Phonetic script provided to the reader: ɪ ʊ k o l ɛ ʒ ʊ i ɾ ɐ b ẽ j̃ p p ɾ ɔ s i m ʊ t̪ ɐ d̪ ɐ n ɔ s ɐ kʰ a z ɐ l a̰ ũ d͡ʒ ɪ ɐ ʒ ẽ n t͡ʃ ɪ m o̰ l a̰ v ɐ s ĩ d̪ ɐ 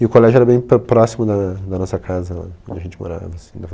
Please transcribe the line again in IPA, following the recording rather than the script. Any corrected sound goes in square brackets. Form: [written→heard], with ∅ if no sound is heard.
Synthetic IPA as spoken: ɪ ʊ k o l ɛ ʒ ʊ [i→ɛ] ɾ ɐ b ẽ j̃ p p ɾ ɔ s i m ʊ [t̪→d̪] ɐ d̪ ɐ n ɔ s ɐ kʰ a z ɐ l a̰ [ũ→õ] d͡ʒ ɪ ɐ ʒ ẽ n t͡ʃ ɪ m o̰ [l→ɾ] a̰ v ɐ s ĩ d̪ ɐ